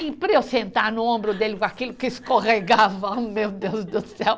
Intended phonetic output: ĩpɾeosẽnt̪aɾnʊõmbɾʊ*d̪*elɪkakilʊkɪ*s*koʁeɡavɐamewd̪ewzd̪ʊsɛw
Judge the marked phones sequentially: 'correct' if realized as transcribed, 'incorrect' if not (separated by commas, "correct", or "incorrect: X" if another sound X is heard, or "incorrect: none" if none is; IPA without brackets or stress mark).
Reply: correct, correct